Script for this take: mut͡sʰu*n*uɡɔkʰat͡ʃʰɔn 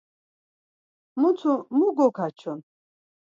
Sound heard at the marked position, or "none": m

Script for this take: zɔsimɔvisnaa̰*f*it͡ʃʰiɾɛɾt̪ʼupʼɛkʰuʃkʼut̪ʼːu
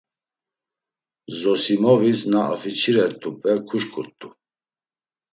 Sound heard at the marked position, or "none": f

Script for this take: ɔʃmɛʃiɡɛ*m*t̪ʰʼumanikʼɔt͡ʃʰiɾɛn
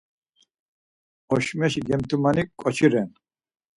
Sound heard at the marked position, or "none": m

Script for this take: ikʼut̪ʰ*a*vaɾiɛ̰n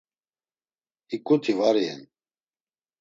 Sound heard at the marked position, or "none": i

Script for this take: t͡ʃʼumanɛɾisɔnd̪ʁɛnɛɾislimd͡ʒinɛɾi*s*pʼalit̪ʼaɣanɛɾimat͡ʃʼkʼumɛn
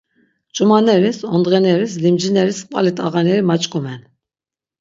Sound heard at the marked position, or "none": s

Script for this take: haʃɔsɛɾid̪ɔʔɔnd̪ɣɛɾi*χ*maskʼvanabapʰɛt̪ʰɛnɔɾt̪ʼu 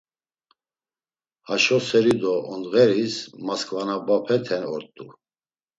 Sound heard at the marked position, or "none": s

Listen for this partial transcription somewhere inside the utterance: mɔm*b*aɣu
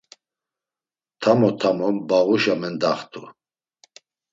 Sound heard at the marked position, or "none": b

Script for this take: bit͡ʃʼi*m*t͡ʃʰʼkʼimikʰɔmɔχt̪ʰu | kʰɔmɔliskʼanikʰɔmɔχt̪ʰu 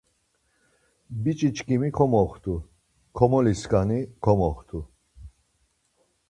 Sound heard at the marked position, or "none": none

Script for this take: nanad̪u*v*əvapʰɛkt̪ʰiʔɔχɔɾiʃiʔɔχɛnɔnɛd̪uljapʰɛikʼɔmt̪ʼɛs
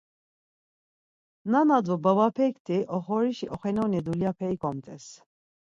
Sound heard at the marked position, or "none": b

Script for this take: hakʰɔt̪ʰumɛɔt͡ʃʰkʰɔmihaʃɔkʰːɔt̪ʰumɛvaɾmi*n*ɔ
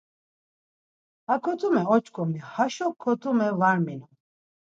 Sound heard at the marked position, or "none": n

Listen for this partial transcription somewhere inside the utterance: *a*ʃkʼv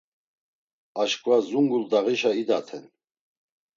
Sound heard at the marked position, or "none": a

